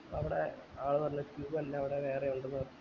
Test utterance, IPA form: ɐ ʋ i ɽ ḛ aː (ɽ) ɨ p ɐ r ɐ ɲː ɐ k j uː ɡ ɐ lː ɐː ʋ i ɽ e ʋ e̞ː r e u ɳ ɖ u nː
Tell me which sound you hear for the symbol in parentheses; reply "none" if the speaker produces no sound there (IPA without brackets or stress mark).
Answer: ɭ